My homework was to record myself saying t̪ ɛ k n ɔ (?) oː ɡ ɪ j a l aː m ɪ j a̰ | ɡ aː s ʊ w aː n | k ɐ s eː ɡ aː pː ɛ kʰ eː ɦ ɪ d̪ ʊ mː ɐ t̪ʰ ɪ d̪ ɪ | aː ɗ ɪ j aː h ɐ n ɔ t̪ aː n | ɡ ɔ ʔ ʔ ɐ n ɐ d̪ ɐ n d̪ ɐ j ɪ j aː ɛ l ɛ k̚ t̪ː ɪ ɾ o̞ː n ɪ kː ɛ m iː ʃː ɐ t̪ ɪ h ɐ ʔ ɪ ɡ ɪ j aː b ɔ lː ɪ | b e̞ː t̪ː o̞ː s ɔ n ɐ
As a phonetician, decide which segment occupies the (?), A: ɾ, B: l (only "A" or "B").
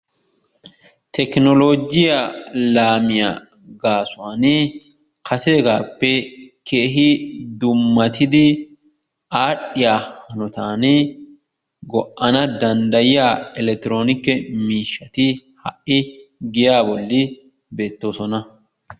B